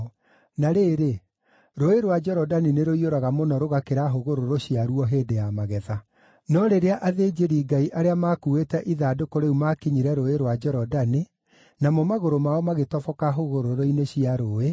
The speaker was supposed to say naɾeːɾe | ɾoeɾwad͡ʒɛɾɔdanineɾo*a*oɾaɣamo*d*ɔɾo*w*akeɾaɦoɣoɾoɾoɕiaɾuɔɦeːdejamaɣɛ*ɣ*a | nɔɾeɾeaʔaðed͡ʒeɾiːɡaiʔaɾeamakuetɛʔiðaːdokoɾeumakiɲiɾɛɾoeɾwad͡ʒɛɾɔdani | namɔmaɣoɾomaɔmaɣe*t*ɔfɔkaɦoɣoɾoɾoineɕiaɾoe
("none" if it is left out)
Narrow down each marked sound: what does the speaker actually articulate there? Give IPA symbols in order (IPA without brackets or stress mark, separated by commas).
i, n, ɣ, ð, t